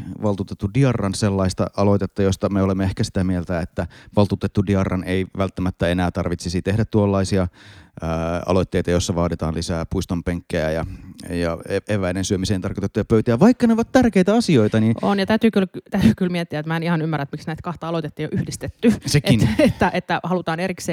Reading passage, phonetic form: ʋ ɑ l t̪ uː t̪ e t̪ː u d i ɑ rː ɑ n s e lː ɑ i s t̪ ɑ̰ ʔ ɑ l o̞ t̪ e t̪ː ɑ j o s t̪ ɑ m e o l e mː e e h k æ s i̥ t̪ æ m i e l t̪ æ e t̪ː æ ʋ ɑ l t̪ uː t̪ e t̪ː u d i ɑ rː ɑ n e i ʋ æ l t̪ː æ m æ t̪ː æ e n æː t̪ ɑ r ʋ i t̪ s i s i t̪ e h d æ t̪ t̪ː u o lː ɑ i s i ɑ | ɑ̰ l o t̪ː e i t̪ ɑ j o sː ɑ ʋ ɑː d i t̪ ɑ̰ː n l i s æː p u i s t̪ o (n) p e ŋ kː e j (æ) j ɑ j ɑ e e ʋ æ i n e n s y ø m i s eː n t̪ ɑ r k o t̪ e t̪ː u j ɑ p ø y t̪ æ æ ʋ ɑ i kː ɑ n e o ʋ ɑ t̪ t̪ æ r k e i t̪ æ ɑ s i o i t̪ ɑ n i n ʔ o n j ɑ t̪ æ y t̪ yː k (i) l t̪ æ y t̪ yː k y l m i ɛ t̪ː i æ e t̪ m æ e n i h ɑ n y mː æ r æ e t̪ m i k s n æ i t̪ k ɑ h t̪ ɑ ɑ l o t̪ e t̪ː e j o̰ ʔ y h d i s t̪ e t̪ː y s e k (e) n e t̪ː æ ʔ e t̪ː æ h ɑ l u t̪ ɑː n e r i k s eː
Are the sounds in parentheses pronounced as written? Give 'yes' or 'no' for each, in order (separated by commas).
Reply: no, yes, no, no